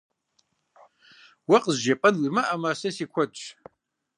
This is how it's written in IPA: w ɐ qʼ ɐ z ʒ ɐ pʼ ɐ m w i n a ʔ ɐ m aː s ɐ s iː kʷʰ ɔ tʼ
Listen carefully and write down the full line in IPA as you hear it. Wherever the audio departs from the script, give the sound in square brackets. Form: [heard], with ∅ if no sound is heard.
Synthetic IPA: w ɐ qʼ [ə] z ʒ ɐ pʼ ɐ [n] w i [m] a ʔ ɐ m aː s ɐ s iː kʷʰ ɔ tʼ